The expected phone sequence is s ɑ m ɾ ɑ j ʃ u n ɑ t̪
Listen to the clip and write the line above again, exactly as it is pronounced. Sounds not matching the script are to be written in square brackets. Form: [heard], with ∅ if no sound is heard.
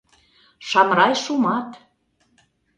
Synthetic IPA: [ʃ] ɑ m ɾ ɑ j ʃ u [m] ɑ t̪